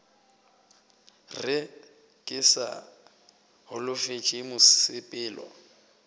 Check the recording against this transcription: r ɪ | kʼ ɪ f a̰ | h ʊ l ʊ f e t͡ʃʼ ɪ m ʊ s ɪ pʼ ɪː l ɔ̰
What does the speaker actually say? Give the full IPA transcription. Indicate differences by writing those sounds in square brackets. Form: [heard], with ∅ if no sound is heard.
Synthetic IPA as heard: r ɪ | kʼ ɪ [s] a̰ | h ʊ l ʊ f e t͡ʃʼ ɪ m ʊ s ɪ pʼ ɪː l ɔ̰